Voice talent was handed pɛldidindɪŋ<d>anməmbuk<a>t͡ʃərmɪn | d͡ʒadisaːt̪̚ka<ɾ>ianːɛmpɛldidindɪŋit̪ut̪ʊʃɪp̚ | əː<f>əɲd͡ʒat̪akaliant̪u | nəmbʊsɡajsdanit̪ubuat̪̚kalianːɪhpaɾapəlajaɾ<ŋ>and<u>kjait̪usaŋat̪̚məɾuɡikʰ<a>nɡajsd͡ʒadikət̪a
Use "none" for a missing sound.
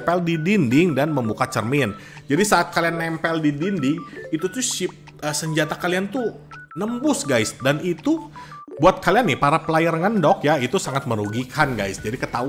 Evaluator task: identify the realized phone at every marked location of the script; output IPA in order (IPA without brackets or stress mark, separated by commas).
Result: d, a, l, s, ŋ, ɔ, a